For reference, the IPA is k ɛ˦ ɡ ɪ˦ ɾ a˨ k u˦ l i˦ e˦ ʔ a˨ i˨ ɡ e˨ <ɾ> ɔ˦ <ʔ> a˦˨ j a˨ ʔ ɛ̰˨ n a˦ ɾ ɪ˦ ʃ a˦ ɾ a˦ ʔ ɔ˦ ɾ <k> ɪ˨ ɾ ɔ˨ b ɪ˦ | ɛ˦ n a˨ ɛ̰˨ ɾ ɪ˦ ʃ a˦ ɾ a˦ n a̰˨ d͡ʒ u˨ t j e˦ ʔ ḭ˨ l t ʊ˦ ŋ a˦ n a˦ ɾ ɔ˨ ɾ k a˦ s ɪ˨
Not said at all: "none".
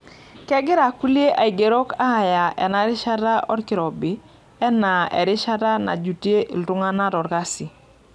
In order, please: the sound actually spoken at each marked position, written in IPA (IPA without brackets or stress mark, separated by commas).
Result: ɾ, k, k